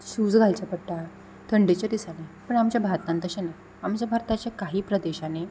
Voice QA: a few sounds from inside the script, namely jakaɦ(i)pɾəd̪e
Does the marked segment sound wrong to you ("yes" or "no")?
yes